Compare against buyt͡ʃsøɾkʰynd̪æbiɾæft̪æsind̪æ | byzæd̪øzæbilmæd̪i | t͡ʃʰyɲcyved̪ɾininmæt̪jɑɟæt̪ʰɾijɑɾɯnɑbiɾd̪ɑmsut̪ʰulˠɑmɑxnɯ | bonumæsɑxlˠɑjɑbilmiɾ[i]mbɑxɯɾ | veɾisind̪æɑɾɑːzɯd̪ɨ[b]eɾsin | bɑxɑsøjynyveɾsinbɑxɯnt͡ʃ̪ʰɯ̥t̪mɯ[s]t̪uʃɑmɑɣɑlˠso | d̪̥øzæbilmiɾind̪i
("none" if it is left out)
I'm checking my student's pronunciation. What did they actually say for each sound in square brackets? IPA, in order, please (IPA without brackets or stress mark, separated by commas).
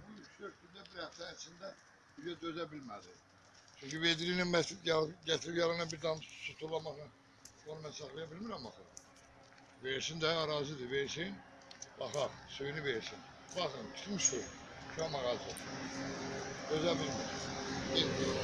æ, v, ʃ